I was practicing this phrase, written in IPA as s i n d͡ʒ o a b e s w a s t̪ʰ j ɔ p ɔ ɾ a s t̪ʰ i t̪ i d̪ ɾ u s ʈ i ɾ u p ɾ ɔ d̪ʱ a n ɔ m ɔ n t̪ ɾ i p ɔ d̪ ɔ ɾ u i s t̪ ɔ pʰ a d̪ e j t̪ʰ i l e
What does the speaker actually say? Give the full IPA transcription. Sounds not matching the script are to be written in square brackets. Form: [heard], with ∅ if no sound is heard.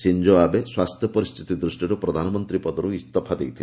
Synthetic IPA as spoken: s i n d͡ʒ o a b e s w a s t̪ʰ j ɔ p ɔ ɾ [i] s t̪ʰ i t̪ i d̪ ɾ u s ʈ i ɾ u p ɾ ɔ d̪ʱ a n ɔ m ɔ n t̪ ɾ i p ɔ d̪ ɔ ɾ u i s t̪ ɔ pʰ a d̪ e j t̪ʰ i l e